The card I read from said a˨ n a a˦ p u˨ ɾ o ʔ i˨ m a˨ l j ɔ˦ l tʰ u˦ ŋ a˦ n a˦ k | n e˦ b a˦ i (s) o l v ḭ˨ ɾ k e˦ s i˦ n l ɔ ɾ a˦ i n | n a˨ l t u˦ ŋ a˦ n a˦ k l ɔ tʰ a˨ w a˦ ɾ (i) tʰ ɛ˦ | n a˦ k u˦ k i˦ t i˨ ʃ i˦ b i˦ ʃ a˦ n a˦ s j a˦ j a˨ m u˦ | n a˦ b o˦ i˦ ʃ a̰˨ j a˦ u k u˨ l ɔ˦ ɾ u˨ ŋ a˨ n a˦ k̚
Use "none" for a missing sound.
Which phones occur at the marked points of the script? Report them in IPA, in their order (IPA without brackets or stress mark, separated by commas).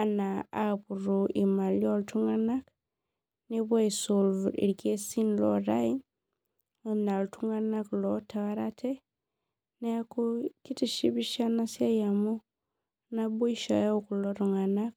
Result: s, a